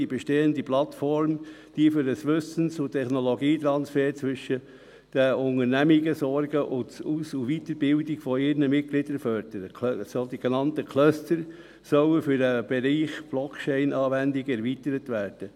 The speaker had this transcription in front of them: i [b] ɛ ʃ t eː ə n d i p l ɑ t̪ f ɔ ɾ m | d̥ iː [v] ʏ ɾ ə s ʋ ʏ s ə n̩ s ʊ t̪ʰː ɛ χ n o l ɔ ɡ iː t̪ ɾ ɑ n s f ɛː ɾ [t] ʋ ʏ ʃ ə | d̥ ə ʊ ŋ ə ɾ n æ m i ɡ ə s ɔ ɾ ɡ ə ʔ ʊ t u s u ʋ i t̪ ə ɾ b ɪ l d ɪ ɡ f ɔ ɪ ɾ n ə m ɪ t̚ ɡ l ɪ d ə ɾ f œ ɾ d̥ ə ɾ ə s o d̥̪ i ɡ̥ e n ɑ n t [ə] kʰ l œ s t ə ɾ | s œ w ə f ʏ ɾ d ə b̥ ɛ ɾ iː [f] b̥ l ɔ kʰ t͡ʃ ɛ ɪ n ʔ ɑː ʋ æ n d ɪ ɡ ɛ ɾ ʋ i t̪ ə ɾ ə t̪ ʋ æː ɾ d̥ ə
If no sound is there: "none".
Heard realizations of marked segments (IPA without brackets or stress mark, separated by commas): b, f, t͡s, ə, χ